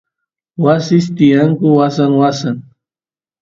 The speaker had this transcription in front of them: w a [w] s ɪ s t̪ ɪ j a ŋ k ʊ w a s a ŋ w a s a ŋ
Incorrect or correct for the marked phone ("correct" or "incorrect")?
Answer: incorrect